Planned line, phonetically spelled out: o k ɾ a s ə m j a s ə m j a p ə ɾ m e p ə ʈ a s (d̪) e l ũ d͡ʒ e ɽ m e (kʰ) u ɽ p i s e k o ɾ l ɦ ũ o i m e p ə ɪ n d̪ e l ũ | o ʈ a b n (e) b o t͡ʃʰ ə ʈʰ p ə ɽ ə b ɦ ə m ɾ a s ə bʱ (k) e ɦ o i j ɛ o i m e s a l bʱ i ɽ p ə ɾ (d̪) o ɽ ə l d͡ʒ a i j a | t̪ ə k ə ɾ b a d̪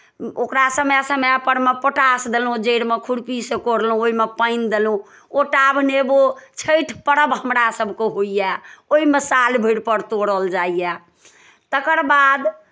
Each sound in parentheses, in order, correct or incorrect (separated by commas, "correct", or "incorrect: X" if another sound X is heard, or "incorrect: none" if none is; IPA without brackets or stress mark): correct, correct, correct, correct, incorrect: t̪